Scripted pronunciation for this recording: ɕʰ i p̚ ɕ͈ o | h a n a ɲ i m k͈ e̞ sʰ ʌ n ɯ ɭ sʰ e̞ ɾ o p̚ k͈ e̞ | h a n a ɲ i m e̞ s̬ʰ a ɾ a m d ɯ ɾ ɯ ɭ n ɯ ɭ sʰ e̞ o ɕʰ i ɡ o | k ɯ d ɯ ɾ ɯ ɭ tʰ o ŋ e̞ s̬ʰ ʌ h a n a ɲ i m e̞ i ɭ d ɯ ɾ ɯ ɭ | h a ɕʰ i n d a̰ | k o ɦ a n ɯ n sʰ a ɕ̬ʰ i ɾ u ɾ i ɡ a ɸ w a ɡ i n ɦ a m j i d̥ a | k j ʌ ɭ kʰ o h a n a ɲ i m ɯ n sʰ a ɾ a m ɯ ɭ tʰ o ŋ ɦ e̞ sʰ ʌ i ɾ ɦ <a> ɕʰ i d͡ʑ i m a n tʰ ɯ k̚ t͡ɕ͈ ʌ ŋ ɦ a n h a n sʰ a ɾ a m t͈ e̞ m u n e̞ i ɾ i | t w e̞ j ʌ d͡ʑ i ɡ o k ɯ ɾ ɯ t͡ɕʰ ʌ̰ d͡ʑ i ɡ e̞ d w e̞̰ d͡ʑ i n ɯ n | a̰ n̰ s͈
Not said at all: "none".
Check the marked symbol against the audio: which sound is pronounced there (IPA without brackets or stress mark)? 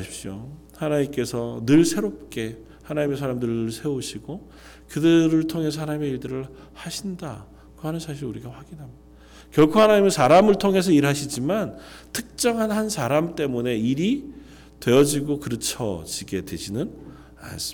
a